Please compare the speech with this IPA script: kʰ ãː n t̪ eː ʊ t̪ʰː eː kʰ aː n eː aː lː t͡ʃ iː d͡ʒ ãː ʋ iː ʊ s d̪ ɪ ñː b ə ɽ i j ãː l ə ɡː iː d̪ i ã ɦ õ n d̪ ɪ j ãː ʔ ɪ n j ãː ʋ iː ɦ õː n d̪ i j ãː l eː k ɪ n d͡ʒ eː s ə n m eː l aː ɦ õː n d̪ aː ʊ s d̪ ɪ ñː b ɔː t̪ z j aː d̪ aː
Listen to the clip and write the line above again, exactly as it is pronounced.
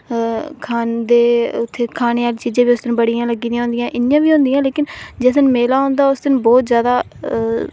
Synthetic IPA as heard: kʰ aː n d̪ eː ʊ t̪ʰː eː kʰ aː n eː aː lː t͡ʃ iː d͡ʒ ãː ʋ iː ʊ s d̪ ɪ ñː b ə ɽ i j ãː l ə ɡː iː d̪ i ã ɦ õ n d̪ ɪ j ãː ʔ ɪ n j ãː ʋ iː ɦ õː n d̪ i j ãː l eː k ɪ n d͡ʒ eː s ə n m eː l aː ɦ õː n d̪ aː ʊ s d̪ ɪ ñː b ɔː t̪ z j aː d̪ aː

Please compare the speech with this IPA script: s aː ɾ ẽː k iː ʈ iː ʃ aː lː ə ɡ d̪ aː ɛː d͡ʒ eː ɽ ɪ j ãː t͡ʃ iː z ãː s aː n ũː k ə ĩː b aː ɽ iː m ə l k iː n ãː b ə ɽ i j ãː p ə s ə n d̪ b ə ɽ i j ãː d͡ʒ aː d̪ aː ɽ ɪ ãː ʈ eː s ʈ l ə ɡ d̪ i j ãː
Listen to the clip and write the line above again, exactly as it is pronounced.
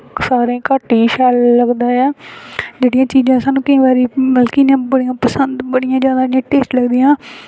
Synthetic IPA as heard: s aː ɾ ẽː k aː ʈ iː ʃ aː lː ə ɡ d̪ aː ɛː d͡ʒ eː ɽ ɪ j ãː t͡ʃ iː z ãː s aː n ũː k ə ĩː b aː ɾ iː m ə l k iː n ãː b ə ɽ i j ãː p ə s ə n d̪ b ə ɽ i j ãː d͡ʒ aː d̪ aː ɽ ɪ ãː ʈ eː s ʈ l ə ɡ d̪ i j ãː

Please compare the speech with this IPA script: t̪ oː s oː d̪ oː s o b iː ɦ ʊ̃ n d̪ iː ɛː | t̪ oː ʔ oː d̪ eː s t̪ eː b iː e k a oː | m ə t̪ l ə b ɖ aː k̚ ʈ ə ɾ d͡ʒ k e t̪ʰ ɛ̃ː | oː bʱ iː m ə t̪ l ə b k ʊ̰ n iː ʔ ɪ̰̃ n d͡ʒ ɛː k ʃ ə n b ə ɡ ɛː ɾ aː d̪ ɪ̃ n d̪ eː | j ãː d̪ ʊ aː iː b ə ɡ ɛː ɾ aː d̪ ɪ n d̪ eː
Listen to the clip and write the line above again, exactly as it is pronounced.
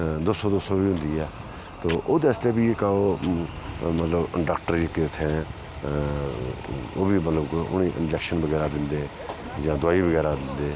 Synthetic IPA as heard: d̪ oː s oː d̪ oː s o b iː ɦ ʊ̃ n d̪ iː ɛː | t̪ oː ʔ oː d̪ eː s t̪ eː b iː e k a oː | m ə t̪ l ə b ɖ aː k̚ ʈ ə ɾ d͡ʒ k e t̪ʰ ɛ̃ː | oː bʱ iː m ə t̪ l ə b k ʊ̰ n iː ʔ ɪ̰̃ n d͡ʒ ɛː k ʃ ə n b ə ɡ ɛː ɾ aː d̪ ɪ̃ n d̪ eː | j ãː d̪ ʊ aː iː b ə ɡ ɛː ɾ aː d̪ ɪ n d̪ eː

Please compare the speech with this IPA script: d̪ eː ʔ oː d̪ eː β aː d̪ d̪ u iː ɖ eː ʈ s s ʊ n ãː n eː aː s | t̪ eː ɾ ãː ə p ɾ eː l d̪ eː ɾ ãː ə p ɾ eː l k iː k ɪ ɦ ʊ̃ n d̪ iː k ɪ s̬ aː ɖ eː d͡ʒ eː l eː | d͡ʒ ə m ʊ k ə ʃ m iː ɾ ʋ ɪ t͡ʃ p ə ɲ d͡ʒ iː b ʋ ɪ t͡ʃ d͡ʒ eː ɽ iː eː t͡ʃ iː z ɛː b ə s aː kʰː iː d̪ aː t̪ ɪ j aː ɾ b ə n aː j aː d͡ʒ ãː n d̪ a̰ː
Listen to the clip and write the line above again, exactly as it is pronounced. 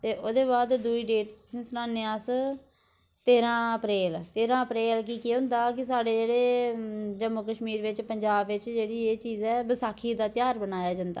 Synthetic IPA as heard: t̪ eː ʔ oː d̪ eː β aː d̪ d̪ u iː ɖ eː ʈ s s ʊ n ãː n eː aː s | t̪ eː ɾ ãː ə p ɾ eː l t̪ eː ɾ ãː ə p ɾ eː l k iː k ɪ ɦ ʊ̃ n d̪ aː k ɪ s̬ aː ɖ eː d͡ʒ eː ɽ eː | d͡ʒ ə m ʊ k ə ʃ m iː ɾ ʋ ɪ t͡ʃ p ə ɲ d͡ʒ aː b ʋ ɪ t͡ʃ d͡ʒ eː ɽ iː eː t͡ʃ iː z ɛː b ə s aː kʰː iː d̪ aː t̪ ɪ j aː ɾ b ə n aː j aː d͡ʒ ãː n d̪ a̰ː

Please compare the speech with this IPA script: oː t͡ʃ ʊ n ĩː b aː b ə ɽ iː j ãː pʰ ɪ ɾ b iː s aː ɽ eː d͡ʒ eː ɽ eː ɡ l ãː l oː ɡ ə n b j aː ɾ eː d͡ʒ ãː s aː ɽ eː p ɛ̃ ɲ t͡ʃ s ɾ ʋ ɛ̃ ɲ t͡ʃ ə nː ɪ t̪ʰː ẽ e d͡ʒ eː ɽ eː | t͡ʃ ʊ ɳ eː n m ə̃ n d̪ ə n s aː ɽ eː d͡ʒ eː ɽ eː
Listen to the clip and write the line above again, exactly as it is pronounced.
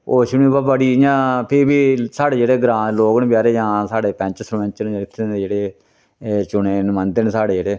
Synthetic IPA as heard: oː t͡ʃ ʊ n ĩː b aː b ə ɽ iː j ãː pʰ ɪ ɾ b iː s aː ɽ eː d͡ʒ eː ɽ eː ɡ ɾ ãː l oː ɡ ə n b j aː ɾ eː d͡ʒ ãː s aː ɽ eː p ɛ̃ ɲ t͡ʃ s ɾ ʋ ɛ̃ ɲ t͡ʃ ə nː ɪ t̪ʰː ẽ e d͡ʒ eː ɽ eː | t͡ʃ ʊ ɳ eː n m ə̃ n d̪ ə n s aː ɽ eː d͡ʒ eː ɽ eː

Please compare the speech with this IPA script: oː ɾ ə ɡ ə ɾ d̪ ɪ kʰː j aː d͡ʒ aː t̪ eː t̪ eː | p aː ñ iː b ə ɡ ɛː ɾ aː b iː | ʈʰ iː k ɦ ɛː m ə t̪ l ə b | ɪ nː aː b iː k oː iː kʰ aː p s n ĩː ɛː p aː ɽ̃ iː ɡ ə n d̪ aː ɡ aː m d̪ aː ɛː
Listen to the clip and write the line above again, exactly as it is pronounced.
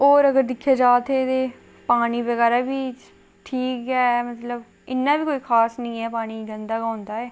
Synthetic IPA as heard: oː ɾ ə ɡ ə ɾ d̪ ɪ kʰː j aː d͡ʒ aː t̪ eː t̪ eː | p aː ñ iː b ə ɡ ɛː ɾ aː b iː | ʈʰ iː k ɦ ɛː m ə t̪ l ə b | ɪ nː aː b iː k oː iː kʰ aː s n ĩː ɛː p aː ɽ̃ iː ɡ ə n d̪ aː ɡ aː n d̪ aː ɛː

